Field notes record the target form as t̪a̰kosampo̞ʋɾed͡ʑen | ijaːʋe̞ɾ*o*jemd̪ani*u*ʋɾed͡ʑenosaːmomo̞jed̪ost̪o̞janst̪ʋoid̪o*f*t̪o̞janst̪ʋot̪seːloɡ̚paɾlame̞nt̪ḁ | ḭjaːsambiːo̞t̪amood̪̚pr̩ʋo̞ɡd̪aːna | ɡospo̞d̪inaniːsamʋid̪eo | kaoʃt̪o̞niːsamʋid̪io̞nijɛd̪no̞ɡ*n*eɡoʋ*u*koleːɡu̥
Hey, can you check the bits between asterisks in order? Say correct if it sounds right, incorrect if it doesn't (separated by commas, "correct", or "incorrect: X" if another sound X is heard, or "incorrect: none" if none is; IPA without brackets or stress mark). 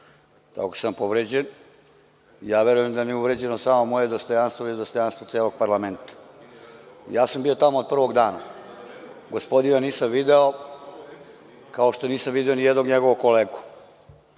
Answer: incorrect: u, correct, incorrect: s, incorrect: ɲ, incorrect: o